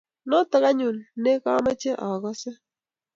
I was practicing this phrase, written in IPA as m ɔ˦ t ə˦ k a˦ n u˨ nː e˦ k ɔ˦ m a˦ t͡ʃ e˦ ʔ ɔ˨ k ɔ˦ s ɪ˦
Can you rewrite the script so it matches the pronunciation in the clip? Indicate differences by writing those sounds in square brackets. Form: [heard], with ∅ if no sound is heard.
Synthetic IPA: [n] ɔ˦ t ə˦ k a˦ [ɲ] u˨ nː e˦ k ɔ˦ m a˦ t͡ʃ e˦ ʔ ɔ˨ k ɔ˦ s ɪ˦